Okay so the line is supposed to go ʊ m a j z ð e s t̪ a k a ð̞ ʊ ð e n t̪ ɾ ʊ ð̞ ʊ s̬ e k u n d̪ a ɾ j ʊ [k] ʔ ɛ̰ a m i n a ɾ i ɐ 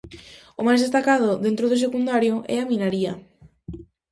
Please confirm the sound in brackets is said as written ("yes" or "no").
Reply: no